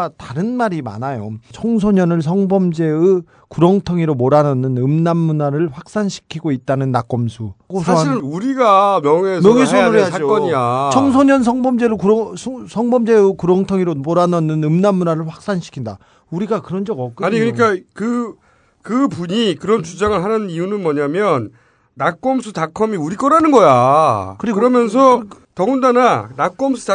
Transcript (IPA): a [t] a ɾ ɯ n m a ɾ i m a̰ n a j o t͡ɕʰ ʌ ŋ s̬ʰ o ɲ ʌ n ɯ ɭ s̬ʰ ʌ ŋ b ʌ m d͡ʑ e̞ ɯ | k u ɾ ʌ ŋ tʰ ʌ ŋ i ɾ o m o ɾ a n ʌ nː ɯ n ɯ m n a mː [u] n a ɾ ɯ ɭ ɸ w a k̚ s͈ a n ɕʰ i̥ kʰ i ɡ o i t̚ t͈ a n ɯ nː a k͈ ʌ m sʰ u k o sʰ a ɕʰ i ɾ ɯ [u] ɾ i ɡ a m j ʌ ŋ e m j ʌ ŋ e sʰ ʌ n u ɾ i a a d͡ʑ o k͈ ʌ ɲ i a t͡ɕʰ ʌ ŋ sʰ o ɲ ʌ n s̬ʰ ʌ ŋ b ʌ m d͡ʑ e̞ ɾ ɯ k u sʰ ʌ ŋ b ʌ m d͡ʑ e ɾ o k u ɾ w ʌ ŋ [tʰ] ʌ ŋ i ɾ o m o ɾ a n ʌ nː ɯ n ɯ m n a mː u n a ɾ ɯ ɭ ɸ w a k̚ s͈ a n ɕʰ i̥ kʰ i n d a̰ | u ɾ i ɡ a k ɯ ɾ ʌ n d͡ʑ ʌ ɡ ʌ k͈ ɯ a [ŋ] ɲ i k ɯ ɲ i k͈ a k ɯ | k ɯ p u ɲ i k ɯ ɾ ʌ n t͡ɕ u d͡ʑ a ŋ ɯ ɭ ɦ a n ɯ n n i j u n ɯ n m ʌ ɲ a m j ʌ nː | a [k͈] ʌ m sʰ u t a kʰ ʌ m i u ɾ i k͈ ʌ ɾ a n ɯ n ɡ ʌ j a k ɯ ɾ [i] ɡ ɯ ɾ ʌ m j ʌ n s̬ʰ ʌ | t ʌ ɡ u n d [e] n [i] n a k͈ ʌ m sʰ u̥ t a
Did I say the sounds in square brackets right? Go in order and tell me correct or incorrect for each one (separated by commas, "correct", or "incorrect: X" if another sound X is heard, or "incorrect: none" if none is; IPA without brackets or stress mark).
correct, correct, correct, correct, incorrect: ɲ, correct, correct, incorrect: a, incorrect: a